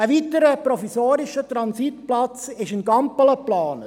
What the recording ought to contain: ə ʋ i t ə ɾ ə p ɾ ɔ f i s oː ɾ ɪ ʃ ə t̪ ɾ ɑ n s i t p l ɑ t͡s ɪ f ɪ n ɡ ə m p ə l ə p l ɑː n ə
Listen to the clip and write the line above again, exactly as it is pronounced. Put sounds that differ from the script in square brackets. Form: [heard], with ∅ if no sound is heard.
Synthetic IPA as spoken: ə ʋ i t ə ɾ ə p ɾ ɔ f i s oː ɾ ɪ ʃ ə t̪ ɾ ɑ n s i t p l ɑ t͡s ɪ [ʃ] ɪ n ɡ [ɑ] m p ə l ə p l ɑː n ə